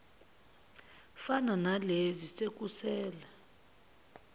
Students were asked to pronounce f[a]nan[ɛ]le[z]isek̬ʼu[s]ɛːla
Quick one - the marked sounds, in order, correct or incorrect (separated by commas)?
correct, incorrect, correct, correct